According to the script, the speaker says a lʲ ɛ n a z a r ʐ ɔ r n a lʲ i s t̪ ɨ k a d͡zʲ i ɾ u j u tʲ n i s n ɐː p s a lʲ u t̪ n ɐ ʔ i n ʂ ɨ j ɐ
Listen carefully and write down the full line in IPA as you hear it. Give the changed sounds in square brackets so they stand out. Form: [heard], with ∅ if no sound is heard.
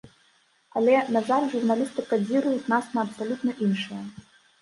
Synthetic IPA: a lʲ ɛ n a z a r ʐ [u] r n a lʲ i s t̪ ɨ k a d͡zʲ i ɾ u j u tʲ n [a] s n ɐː p s a lʲ u t̪ n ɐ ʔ i n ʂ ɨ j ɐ

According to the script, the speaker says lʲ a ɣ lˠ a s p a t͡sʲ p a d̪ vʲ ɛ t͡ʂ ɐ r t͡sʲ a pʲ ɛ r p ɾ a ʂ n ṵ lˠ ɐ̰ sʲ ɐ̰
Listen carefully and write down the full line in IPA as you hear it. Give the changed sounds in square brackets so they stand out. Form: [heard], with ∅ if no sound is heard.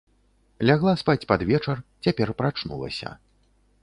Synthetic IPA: lʲ a ɣ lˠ a s p a t͡sʲ p a d̪ vʲ ɛ t͡ʂ ɐ r t͡sʲ a pʲ ɛ r p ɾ a [t͡ʂ] n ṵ lˠ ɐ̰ sʲ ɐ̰

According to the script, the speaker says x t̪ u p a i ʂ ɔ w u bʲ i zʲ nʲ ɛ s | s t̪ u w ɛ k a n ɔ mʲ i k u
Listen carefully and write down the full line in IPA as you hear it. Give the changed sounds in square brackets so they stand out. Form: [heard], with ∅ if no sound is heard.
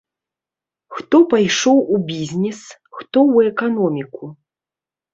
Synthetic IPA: x t̪ [ɔ] p a [j] ʂ ɔ w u bʲ i zʲ nʲ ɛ s | [x] t̪ [ɔ] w ɛ k a n ɔ mʲ i k u

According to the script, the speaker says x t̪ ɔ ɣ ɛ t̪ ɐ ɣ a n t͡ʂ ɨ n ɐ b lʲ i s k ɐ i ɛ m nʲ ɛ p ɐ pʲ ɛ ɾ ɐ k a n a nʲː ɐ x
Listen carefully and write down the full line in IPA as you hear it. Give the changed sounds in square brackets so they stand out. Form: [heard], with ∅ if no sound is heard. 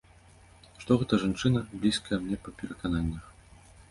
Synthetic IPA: [ʂ] t̪ ɔ ɣ ɛ t̪ ɐ [ʐ] a n t͡ʂ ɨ n ɐ b lʲ i s k ɐ [j] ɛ m nʲ ɛ p ɐ pʲ ɛ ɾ ɐ k a n a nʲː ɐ x

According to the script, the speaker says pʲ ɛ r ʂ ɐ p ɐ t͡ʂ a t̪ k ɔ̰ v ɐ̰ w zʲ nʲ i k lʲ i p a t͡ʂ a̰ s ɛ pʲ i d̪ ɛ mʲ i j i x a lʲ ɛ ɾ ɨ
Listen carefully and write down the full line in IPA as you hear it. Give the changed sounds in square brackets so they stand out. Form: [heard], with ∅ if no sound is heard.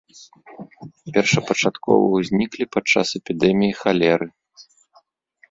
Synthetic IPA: pʲ ɛ r ʂ ɐ p ɐ t͡ʂ a t̪ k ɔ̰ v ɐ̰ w zʲ nʲ i k lʲ i p a t͡ʂ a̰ s ɛ pʲ i d̪ ɛ mʲ i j i x a lʲ ɛ ɾ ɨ

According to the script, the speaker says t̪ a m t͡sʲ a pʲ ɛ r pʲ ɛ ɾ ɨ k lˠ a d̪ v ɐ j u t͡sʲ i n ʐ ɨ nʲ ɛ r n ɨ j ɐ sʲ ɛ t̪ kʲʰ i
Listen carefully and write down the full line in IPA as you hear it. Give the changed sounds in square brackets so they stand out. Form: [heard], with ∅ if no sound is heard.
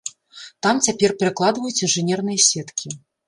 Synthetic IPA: t̪ a m t͡sʲ a pʲ ɛ r pʲ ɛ ɾ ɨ k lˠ a d̪ v ɐ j u t͡sʲ i n ʐ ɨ nʲ ɛ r n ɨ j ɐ sʲ ɛ t̪ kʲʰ i

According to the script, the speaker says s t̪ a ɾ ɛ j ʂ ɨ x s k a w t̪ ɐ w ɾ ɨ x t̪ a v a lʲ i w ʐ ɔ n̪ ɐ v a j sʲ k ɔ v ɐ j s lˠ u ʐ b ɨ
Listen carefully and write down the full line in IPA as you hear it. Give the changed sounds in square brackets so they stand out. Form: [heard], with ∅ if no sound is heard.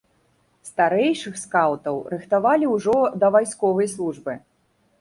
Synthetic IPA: s t̪ a ɾ ɛ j ʂ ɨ x s k a w t̪ ɐ w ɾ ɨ x t̪ a v a lʲ i w ʐ ɔ [d̪] ɐ v a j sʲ k ɔ v ɐ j s lˠ u ʐ b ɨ

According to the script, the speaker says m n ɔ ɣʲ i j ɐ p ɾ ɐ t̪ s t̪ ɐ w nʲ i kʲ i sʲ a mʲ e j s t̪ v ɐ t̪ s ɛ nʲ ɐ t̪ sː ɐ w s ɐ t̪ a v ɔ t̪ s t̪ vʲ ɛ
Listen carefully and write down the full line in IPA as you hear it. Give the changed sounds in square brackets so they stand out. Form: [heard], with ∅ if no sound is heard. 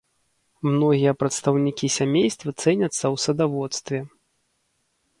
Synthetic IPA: m n ɔ ɣʲ i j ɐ p ɾ ɐ t̪ s t̪ ɐ w nʲ i kʲ i sʲ a mʲ e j s t̪ v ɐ t̪ s ɛ nʲ ɐ t̪ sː ɐ w s ɐ [d̪] a v ɔ t̪ s t̪ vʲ ɛ

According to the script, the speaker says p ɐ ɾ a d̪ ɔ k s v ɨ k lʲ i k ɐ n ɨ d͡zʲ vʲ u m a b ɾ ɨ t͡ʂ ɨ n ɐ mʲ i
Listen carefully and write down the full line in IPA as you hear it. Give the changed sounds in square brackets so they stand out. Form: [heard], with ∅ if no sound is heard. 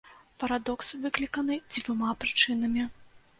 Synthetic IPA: p ɐ ɾ a d̪ ɔ k s v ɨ k lʲ i k ɐ n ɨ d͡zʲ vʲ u m a [p] ɾ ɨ t͡ʂ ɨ n ɐ mʲ i

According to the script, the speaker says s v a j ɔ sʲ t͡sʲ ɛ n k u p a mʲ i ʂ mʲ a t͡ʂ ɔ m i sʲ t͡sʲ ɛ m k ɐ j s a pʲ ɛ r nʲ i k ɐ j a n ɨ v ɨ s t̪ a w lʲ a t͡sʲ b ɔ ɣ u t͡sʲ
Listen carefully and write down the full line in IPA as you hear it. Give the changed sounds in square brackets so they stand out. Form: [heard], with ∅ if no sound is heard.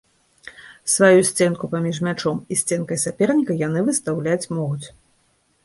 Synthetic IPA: s v a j [u] sʲ t͡sʲ ɛ n k u p a mʲ i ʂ mʲ a t͡ʂ ɔ m i sʲ t͡sʲ ɛ [n] k ɐ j s a pʲ ɛ r nʲ i k ɐ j a n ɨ v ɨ s t̪ a w lʲ a t͡sʲ [m] ɔ ɣ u t͡sʲ

